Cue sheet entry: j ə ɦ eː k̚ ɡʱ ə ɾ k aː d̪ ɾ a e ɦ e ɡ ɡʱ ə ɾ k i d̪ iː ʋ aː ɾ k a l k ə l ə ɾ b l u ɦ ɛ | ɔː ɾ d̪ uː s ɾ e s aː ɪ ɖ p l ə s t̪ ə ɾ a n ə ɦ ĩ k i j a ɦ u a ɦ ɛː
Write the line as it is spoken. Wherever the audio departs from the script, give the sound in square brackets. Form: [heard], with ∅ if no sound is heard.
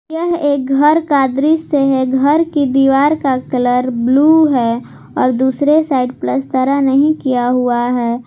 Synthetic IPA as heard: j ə ɦ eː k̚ ɡʱ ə ɾ k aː d̪ ɾ [i] e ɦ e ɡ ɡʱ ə ɾ k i d̪ iː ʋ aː ɾ k a [∅] k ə l ə ɾ b l u ɦ ɛ | ɔː ɾ d̪ uː s ɾ e s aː ɪ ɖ p l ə s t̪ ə ɾ a n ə ɦ ĩ k i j a ɦ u a ɦ ɛː